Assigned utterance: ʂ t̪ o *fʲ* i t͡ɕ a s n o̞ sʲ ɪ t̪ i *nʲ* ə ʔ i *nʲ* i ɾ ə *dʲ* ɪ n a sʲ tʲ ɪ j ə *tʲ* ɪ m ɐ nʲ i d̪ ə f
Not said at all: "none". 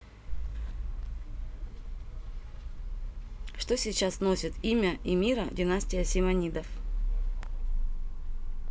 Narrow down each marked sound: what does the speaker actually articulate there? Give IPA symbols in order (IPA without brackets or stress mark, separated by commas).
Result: sʲ, mʲ, mʲ, dʲ, sʲ